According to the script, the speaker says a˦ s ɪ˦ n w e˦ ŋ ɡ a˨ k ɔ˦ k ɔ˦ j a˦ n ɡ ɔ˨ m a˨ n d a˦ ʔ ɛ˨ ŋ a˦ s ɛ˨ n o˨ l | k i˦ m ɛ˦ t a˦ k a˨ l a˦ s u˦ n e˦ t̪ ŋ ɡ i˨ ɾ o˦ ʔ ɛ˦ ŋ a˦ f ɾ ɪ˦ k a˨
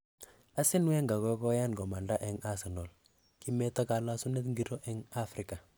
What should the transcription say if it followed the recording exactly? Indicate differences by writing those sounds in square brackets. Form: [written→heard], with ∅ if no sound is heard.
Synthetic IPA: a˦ s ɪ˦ n w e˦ ŋ ɡ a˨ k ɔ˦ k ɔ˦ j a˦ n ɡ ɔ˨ m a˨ n d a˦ ʔ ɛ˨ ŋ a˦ s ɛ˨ n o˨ l | k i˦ m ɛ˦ t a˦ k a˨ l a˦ s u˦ n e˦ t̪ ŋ ɡ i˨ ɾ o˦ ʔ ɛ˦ ŋ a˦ f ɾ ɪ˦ k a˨